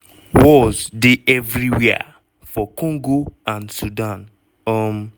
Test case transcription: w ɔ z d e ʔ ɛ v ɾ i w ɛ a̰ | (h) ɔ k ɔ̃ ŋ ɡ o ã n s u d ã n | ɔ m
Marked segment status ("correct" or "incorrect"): incorrect